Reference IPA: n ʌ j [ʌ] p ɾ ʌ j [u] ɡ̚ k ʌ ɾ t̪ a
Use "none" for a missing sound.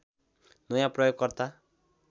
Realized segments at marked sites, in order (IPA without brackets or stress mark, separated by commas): a, o